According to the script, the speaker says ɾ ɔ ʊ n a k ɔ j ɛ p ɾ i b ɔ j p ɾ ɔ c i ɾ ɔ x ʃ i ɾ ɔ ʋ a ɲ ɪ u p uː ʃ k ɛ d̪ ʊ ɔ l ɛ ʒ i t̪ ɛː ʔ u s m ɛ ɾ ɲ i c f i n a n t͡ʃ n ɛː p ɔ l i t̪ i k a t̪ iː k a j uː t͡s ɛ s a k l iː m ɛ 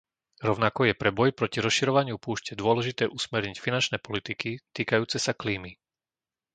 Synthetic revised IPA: ɾ ɔ ʊ n a k ɔ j ɛ p ɾ ɛ b ɔ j p ɾ ɔ c i ɾ ɔ s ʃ i ɾ ɔ ʋ a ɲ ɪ u p uː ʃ c ɛ d̪ ʊ ɔ l ɛ ʒ i t̪ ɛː ʔ u s m ɛ ɾ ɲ i c f i n a n t͡ʃ n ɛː p ɔ l i t̪ i k i t̪ iː k a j uː t͡s ɛ s a k l iː m i